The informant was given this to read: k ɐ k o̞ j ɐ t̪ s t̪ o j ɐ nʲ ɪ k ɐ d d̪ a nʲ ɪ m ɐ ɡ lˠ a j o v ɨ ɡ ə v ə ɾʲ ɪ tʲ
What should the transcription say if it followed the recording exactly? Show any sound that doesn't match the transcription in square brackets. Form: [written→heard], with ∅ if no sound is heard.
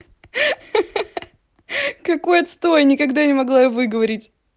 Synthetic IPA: k ɐ k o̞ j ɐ t̪ s t̪ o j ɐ nʲ ɪ k ɐ [d→ɡ] d̪ a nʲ ɪ m ɐ ɡ lˠ a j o v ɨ ɡ ə v [ə→ɐ] ɾʲ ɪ tʲ